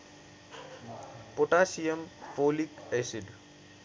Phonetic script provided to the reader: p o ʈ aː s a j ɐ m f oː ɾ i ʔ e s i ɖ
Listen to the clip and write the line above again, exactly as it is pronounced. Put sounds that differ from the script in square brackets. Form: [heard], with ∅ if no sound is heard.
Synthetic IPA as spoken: p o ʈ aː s [i] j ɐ m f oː [l] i [k] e s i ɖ